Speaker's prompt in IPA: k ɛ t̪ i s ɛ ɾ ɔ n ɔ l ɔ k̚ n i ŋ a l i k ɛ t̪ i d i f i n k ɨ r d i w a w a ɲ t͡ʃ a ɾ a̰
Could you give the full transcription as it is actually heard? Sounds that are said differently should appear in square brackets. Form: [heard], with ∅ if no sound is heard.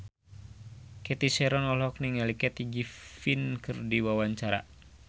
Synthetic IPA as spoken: k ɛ t̪ i s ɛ ɾ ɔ n ɔ l ɔ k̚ n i ŋ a l i k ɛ t̪ i [ɡ] i f i n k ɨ r d i w a w a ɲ t͡ʃ a ɾ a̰